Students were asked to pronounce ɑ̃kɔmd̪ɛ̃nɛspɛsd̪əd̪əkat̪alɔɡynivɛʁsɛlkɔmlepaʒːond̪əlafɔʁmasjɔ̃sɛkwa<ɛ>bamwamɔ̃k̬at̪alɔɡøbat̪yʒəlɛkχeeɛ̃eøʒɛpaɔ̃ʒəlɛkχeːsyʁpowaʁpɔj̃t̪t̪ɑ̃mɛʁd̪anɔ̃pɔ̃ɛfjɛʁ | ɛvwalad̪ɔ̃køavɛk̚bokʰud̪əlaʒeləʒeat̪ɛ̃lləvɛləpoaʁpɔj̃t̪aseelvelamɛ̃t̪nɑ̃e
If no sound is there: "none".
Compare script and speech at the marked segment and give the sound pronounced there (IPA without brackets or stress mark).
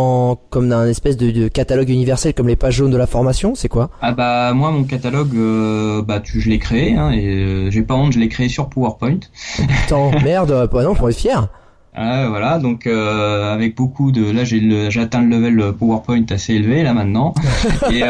a